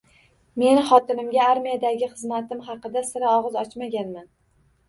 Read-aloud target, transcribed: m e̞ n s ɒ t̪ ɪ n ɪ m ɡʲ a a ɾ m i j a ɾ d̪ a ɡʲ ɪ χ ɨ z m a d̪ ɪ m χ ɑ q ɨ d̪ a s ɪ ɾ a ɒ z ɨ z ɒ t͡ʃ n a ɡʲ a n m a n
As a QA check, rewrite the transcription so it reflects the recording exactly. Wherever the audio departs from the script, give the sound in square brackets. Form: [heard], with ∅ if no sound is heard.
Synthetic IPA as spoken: m e̞ n [χ] ɒ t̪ ɪ n ɪ m ɡʲ a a ɾ m i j a [∅] d̪ a ɡʲ ɪ χ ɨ z m a [t̪] ɪ m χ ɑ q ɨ d̪ a s ɪ ɾ a ɒ [ʁ] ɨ z ɒ t͡ʃ [m] a ɡʲ a n m a n

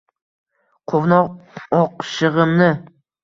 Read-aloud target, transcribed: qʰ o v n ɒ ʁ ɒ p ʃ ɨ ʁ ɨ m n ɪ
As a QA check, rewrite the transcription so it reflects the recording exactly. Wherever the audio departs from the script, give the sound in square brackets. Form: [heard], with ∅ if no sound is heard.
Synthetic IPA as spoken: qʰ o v n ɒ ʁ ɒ [q] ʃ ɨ ʁ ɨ m n ɪ

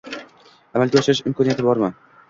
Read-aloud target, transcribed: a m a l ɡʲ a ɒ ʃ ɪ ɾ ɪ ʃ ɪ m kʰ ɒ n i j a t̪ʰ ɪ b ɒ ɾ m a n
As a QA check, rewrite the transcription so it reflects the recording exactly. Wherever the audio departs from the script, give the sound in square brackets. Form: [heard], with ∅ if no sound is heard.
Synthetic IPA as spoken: a m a l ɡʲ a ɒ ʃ ɪ ɾ ɪ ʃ ɪ m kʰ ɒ n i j a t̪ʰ ɪ b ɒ ɾ m a n

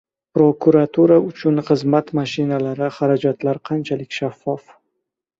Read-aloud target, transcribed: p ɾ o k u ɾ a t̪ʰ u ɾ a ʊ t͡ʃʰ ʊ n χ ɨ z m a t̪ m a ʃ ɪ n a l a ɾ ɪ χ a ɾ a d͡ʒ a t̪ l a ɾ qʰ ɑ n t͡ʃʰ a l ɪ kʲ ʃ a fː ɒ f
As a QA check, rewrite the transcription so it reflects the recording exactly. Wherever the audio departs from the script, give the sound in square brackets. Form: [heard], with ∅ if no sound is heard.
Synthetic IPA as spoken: p ɾ o k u ɾ a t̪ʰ u ɾ a ʊ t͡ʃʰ ʊ n χ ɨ z m a t̪ m a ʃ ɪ n a l a ɾ ɪ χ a ɾ a d͡ʒ a t̪ l a ɾ qʰ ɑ n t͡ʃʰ a l ɪ kʲ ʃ a fː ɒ f

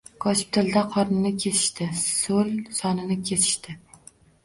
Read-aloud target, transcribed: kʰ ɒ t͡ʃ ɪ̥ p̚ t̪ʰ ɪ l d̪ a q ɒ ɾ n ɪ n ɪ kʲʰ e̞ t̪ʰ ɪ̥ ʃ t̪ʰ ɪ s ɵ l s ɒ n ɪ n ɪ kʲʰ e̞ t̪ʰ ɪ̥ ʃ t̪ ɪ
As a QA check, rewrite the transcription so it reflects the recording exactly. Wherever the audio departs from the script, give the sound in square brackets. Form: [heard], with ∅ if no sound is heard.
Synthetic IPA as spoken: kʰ ɒ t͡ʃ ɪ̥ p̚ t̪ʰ ɪ l d̪ a [qʰ] ɒ ɾ n ɪ n ɪ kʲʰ e̞ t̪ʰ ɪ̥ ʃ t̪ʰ ɪ s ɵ l s ɒ n ɪ n ɪ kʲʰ e̞ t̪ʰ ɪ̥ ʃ t̪ ɪ

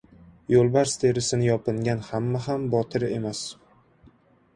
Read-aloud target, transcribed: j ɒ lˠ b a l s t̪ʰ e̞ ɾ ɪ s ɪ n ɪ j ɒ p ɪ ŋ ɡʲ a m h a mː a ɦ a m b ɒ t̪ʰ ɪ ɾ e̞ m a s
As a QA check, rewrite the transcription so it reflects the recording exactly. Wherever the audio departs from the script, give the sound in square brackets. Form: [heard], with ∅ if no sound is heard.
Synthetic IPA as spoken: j [o] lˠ b a [ɾ] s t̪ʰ e̞ ɾ ɪ s ɪ n ɪ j ɒ p ɪ ŋ ɡʲ a [n] h a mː a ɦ a m b ɒ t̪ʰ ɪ ɾ e̞ m a s

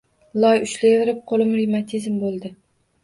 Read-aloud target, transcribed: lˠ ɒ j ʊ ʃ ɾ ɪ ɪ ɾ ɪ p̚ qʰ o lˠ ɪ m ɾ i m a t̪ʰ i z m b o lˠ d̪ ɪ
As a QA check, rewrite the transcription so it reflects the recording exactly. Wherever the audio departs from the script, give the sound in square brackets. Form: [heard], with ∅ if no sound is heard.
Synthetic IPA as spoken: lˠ ɒ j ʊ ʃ [l] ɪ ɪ ɾ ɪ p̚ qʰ o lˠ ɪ m ɾ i m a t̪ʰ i z m b o lˠ d̪ ɪ

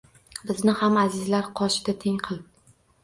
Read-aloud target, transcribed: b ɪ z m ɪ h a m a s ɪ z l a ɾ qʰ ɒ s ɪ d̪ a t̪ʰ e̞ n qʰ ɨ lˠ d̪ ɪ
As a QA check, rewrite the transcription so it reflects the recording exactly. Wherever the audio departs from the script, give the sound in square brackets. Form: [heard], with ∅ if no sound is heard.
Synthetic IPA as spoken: b ɪ z [n] ɪ h a m a [z] ɪ z l a ɾ qʰ ɒ [ʃ] ɪ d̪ a t̪ʰ e̞ [ŋ] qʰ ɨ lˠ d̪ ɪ

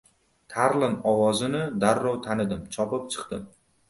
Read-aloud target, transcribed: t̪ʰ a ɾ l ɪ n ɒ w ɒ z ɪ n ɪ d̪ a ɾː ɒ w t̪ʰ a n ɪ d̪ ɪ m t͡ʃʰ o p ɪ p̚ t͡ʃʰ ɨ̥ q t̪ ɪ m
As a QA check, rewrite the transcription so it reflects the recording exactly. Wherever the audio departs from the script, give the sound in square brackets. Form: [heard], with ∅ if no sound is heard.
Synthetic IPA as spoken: t̪ʰ a ɾ l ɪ n ɒ w ɒ z ɪ n ɪ d̪ a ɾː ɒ w t̪ʰ a n ɪ d̪ ɪ m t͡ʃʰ [ɒ] p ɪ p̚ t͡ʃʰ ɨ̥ q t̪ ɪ m

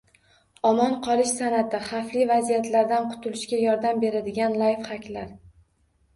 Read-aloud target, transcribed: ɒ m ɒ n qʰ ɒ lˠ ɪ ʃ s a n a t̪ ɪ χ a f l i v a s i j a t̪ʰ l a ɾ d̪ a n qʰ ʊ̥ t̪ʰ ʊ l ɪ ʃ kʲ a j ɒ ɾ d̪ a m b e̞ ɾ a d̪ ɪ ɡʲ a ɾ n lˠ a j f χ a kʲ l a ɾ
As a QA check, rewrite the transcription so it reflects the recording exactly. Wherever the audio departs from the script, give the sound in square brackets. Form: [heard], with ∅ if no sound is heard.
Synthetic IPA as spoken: ɒ m ɒ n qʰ ɒ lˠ ɪ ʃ s a n a t̪ ɪ χ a f l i v a [z] i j a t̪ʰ l a ɾ d̪ a n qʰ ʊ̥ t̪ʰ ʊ l ɪ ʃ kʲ a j ɒ ɾ d̪ a m b e̞ ɾ a d̪ ɪ ɡʲ a [∅] n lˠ a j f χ a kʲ l a ɾ

